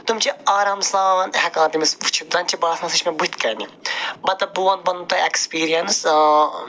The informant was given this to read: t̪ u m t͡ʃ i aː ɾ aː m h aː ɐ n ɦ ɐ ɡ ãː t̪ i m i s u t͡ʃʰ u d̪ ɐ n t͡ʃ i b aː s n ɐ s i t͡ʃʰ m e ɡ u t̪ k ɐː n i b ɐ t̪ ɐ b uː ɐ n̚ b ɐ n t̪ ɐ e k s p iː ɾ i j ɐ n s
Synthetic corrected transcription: t̪ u m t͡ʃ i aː ɾ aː m s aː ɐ n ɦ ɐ k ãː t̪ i m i s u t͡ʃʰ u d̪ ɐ n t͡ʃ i b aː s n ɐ s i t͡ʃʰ m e b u t̪ k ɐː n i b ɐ t̪ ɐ b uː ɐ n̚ b ɐ n t̪ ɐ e k s p iː ɾ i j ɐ n s